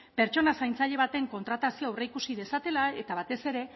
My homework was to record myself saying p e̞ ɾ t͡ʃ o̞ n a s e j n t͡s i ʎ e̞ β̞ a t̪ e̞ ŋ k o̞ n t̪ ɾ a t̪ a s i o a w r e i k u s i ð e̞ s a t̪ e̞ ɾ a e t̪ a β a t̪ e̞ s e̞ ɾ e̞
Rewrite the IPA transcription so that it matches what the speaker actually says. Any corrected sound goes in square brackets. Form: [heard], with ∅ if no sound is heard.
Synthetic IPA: p e̞ ɾ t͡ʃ o̞ n a s [a] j n t͡s [a] ʎ e̞ β̞ a t̪ e̞ ŋ k o̞ n t̪ ɾ a t̪ a s i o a w r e i k u s i ð e̞ s a t̪ e̞ [l] a e t̪ a β a t̪ e̞ s e̞ ɾ e̞